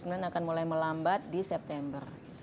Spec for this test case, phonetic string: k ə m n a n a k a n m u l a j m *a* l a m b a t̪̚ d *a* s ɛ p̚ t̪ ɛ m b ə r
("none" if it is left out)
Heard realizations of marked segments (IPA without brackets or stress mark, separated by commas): ə, i